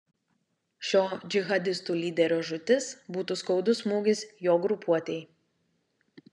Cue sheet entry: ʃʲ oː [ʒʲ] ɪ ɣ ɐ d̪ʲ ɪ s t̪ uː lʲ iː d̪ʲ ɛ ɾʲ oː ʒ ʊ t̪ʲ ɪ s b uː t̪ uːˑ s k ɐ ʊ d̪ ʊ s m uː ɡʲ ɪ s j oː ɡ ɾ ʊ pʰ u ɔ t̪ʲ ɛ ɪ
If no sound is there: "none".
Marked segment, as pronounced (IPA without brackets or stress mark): d͡ʒʲ